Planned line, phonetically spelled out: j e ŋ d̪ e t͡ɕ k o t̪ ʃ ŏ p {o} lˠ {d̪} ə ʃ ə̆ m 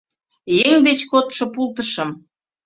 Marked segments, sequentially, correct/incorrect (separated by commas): incorrect, incorrect